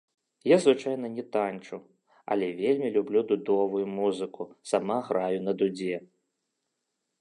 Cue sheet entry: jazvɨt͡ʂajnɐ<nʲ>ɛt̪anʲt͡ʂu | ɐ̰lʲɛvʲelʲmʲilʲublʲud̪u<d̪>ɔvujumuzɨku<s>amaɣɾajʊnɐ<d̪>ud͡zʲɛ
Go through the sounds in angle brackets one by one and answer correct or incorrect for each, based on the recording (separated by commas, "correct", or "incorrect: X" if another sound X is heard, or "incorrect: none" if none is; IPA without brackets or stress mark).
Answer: correct, correct, correct, correct